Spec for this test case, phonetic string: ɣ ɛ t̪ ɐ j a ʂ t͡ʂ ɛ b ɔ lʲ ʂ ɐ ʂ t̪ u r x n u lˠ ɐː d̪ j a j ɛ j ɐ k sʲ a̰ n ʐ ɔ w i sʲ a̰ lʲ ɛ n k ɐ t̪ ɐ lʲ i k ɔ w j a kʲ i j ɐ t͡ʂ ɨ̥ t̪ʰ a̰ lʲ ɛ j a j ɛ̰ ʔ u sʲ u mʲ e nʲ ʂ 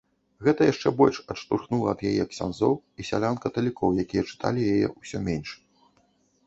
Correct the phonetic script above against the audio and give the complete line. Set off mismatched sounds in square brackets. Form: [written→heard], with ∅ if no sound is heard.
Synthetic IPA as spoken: ɣ ɛ t̪ ɐ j a ʂ t͡ʂ ɛ b ɔ lʲ ʂ ɐ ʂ t̪ u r x n u lˠ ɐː d̪ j a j ɛ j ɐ k sʲ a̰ n [ʐ→z] ɔ w i sʲ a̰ lʲ [ɛ→a] n k ɐ t̪ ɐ lʲ i k ɔ w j a kʲ i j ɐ t͡ʂ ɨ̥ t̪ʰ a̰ lʲ [ɛ→i] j a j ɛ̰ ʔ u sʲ [u→ɔ] mʲ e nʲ ʂ